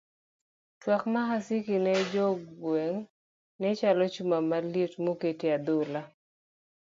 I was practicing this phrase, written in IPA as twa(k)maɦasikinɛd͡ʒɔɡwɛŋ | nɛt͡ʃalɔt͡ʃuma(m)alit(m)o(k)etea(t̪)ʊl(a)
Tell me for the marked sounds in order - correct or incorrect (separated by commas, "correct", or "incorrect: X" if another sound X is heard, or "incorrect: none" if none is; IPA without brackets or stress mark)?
correct, correct, correct, correct, incorrect: d̪, correct